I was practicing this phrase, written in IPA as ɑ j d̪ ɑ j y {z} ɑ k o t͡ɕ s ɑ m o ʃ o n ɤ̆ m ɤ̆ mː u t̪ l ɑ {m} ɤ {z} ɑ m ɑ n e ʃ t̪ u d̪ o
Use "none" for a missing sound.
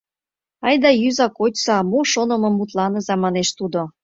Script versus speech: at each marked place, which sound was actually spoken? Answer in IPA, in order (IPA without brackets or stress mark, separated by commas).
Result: z, n, z